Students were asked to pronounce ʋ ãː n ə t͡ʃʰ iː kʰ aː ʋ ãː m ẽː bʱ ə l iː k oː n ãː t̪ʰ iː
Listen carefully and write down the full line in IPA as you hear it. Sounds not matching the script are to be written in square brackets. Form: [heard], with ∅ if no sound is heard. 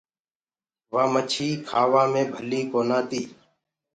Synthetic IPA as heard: ʋ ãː [m] ə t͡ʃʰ iː kʰ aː ʋ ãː m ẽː bʱ ə l iː k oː n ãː [t̪] iː